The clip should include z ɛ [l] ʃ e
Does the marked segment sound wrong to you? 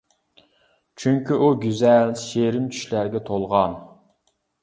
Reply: no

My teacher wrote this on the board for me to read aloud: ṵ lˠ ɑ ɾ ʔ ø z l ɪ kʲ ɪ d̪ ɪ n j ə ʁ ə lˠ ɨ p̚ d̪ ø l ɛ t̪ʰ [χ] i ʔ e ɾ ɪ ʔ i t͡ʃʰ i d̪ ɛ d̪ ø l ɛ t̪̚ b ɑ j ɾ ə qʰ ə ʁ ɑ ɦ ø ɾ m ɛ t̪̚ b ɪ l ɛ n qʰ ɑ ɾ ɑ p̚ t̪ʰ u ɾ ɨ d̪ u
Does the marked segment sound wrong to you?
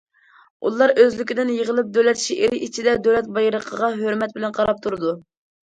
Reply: yes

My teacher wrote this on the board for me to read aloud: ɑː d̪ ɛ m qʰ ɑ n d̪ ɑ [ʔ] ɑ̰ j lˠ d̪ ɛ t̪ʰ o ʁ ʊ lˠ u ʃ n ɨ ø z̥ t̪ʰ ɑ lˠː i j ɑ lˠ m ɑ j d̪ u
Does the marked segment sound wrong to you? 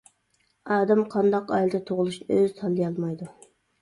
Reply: yes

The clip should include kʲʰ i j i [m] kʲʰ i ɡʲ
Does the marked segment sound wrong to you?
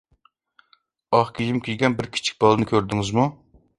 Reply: no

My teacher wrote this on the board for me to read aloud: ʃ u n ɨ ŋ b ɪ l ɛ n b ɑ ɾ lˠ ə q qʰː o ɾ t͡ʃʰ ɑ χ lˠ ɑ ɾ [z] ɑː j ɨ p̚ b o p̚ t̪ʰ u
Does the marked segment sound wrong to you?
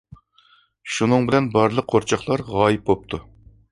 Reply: yes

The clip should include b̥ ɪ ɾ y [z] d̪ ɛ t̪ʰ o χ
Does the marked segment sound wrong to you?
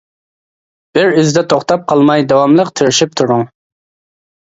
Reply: no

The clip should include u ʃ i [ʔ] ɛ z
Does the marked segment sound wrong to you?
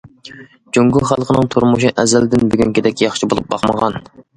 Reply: no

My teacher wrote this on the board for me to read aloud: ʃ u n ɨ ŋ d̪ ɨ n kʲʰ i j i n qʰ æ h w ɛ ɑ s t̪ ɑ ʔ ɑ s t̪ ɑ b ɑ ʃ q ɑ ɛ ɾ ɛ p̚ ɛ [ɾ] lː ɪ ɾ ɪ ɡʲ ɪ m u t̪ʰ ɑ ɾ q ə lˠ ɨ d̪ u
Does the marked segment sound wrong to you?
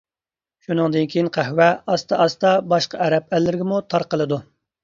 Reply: yes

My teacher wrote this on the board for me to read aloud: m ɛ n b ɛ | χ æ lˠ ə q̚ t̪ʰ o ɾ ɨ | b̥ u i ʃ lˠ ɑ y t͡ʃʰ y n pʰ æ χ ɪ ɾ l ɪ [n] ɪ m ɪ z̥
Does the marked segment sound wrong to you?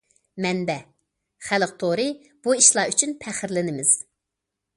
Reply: no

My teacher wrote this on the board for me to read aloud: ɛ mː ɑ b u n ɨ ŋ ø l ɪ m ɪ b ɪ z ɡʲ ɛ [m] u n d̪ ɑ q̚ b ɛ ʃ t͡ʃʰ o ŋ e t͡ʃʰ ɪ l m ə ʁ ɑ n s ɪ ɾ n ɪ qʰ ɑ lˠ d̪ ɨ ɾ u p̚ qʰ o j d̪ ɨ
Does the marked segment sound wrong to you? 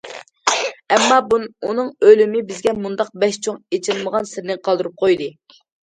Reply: no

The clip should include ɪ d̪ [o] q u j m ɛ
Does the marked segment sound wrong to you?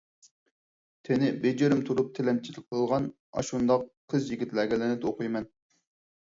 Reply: no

